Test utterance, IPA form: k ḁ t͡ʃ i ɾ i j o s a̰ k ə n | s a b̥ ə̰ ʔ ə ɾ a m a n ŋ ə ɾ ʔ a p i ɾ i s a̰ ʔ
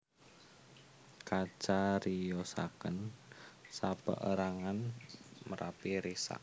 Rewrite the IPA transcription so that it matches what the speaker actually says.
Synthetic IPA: k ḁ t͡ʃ a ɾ i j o s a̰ k ə n | s a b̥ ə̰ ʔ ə ɾ a ŋ a n m ə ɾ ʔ a p i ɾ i s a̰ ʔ

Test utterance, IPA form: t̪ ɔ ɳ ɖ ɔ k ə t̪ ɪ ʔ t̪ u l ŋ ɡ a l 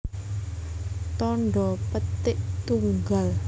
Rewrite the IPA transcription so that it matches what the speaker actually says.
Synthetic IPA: t̪ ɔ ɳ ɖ ɔ p ə t̪ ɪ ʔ t̪ u ŋ ɡ a l

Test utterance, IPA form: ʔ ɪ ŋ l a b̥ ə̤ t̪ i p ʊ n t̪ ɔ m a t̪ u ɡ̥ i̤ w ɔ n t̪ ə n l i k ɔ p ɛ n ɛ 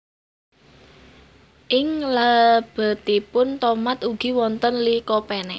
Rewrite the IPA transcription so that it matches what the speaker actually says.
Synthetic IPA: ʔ ɪ ŋ l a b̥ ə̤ t̪ i p ʊ n t̪ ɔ m a t̪ u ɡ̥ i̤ w ɔ n t̪ ə n l i k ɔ p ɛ n ɛ

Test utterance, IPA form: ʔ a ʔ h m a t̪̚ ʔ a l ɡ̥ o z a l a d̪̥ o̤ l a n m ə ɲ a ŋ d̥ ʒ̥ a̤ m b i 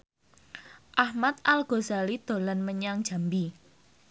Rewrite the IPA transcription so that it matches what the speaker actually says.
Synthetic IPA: ʔ a h m a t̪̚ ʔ a l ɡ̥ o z a l i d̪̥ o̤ l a n m ə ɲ a ŋ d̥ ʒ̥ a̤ m b i

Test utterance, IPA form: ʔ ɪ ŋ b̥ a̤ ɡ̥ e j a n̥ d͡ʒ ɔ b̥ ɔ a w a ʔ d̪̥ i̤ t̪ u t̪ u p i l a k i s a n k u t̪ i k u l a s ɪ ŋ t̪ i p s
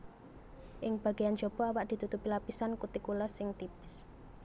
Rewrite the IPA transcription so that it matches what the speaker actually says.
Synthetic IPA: ʔ ɪ ŋ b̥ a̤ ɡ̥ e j a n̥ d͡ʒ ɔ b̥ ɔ a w a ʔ d̪̥ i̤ t̪ u t̪ u p i l a p i s a n k u t̪ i k u l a s ɪ ŋ t̪ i p s

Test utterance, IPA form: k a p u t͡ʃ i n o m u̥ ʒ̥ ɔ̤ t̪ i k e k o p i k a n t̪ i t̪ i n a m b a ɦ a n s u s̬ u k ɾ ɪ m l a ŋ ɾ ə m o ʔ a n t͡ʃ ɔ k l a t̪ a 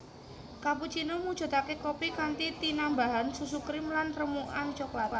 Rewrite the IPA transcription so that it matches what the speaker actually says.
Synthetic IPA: k a p u t͡ʃ i n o m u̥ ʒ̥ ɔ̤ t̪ a k e k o p i k a n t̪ i t̪ i n a m b a ɦ a n s u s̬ u k ɾ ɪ m l a n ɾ ə m u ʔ a n t͡ʃ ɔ k l a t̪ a

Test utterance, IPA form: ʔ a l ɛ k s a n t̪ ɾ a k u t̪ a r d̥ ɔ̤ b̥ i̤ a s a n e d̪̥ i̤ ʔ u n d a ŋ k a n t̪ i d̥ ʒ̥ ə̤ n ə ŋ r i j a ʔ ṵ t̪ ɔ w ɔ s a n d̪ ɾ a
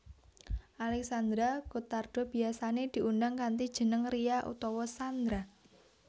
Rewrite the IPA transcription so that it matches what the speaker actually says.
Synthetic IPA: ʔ a l ɛ k s a n d̪ ɾ a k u t̪ a r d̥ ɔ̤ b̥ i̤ a s a n e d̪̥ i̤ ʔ u n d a ŋ k a n t̪ i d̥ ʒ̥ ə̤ n ə ŋ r i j a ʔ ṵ t̪ ɔ w ɔ s a n d̪ ɾ a

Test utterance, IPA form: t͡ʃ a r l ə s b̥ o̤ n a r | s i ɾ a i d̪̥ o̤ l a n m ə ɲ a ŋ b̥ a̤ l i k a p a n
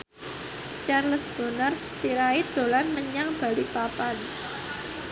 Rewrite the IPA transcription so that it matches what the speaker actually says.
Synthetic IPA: t͡ʃ a r l ə s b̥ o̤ n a r | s i ɾ a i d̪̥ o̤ l a n m ə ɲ a ŋ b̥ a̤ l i p a p a n

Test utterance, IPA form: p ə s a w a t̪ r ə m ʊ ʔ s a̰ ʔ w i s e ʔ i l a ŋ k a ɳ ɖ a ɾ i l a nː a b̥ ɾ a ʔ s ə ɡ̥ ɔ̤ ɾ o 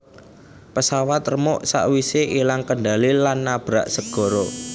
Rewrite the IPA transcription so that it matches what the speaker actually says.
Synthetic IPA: p ə s a w a t̪ r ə m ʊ ʔ s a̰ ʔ w i s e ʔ i l a ŋ k ə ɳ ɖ a l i l a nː a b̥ ɾ a ʔ s ə ɡ̥ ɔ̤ ɾ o

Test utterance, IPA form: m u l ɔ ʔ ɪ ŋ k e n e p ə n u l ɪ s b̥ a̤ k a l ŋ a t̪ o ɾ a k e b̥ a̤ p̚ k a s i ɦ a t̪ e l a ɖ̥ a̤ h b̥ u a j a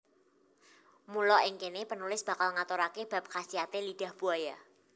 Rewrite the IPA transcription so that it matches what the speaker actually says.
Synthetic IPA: m u l ɔ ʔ ɪ ŋ k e n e p ə n u l ɪ s b̥ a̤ k a l ŋ a t̪ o ɾ a k e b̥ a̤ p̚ k a s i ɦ a t̪ e l i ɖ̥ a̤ h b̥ u a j a

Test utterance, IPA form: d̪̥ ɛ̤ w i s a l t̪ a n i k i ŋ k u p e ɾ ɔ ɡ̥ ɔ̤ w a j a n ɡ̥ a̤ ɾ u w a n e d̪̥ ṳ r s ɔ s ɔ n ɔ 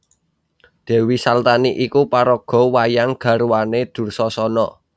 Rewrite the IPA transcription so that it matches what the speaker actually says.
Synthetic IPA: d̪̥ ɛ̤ w i s a l t̪ a n i ʔ i k u p a ɾ ɔ ɡ̥ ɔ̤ w a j a ŋ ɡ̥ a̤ ɾ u w a n e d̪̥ ṳ r s ɔ s ɔ n ɔ

